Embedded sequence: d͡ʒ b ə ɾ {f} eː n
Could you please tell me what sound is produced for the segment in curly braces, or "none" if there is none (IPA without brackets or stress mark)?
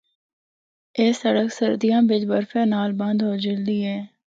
f